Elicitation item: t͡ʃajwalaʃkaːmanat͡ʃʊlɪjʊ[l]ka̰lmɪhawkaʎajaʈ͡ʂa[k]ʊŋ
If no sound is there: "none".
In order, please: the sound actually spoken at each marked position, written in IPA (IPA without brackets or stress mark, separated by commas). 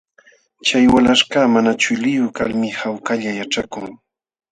none, k